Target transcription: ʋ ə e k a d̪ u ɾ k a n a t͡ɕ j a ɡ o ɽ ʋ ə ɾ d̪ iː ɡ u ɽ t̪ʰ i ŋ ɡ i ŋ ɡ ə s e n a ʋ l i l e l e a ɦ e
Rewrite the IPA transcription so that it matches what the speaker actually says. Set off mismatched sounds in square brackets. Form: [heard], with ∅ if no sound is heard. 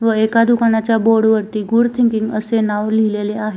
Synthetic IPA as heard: ʋ ə e k a d̪ u [∅] k a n a t͡ɕ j a [b] o ɽ ʋ ə ɾ [t̪] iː ɡ u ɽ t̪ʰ i ŋ [k] i ŋ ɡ ə s e n a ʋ l i l e l e a ɦ e